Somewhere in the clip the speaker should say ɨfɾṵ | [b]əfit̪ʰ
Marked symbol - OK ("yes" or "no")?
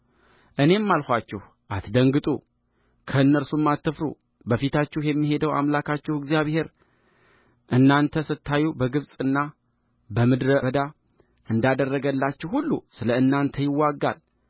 yes